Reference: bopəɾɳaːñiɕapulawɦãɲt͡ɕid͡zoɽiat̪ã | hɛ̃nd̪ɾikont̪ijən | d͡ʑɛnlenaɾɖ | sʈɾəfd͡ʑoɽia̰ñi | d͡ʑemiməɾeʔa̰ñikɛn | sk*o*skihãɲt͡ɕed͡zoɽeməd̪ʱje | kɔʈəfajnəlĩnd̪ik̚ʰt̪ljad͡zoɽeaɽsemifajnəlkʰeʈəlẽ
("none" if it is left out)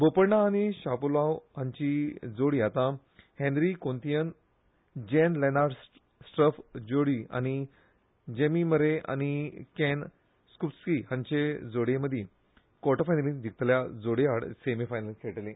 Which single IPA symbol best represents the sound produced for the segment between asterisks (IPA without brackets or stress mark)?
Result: u